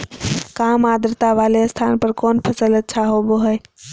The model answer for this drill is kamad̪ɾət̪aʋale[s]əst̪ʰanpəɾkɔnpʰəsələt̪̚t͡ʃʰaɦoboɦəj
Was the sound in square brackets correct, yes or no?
no